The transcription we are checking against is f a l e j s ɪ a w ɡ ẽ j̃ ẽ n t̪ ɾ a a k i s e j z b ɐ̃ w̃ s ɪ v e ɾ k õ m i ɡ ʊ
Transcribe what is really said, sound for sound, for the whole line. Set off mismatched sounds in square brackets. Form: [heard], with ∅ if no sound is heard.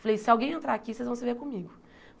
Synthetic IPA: f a l e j s ɪ a w ɡ ẽ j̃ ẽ n t̪ ɾ a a k i s e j z [v] ɐ̃ w̃ s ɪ v e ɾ k õ m i ɡ ʊ